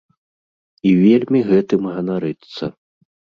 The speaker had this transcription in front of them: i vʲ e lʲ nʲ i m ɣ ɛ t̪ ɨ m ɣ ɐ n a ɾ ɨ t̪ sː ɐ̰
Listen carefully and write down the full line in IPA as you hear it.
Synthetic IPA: i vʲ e lʲ mʲ i ɣ ɛ t̪ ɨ m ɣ ɐ n a ɾ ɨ t̪ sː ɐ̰